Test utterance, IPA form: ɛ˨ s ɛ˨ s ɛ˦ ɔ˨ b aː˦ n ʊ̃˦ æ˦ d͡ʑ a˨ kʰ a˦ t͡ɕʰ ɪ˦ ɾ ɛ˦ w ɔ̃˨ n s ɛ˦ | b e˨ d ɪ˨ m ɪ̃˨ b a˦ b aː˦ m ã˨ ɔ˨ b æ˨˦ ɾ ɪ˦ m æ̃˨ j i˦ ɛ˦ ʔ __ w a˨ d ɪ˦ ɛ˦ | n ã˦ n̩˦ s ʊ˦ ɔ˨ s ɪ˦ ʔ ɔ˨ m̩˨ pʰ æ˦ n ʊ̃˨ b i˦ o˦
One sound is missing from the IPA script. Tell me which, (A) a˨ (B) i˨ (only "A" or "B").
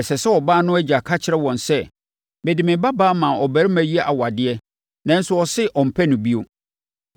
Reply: A